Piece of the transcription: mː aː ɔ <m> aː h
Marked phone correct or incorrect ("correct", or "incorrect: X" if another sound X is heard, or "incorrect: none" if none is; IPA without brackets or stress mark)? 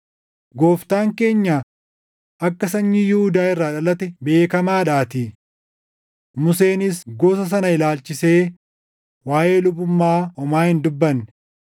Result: correct